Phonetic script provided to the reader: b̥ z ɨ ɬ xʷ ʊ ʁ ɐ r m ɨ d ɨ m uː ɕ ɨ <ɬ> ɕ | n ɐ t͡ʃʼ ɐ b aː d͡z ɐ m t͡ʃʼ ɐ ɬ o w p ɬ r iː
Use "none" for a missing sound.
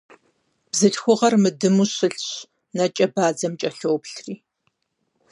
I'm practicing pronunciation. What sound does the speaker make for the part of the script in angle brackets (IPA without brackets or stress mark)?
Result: ɬ